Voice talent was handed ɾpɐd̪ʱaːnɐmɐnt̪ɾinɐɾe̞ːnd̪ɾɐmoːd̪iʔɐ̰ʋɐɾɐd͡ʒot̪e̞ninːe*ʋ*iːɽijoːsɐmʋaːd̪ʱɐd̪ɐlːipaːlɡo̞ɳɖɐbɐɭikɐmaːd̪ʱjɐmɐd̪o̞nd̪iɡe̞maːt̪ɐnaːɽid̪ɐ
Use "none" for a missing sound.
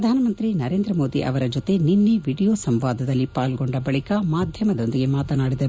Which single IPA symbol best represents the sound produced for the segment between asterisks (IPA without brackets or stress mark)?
ʋ